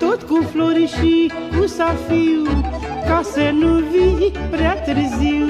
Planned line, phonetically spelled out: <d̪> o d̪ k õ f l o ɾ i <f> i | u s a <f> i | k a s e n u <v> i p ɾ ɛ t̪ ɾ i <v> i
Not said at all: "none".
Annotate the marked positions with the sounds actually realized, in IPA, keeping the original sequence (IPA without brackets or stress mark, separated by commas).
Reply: t̪, ʃ, f, v, z